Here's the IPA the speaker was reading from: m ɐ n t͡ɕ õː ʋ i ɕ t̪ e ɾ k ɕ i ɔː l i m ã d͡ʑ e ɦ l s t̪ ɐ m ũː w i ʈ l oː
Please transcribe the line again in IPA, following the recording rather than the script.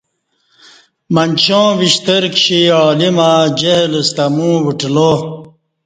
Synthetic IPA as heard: m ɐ n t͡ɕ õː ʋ i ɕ t̪ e ɾ k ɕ i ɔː l i m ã d͡ʑ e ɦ l s t̪ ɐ m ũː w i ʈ l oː